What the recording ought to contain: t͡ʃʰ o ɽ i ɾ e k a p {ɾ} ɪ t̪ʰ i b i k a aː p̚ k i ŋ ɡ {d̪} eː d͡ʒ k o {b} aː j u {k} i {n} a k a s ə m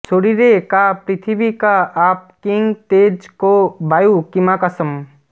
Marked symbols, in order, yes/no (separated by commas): yes, no, yes, yes, no